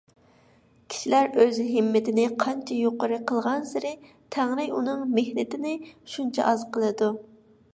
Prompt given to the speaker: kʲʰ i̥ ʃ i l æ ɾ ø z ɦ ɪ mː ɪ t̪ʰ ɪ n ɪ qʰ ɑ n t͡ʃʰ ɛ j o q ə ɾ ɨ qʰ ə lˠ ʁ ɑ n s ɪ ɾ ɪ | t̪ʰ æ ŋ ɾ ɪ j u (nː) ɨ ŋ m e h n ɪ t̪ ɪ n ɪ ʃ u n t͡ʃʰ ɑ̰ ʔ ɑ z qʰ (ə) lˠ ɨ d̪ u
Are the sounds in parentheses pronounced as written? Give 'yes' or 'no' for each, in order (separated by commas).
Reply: no, yes